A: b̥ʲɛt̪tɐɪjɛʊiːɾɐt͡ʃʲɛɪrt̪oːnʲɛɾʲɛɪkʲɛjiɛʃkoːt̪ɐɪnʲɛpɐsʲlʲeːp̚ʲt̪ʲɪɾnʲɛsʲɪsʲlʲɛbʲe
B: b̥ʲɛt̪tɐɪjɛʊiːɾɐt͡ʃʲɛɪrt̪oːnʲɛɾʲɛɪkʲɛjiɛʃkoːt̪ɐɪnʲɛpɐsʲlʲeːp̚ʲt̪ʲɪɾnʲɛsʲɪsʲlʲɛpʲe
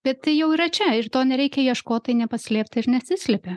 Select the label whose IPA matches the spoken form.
B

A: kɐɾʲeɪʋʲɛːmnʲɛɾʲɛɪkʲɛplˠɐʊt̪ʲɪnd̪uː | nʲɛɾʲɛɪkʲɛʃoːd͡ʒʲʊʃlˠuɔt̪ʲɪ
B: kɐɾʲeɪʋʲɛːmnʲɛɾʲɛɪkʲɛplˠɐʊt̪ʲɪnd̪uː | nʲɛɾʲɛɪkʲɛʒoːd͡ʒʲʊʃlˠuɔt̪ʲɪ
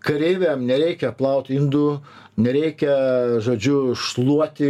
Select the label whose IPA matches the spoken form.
B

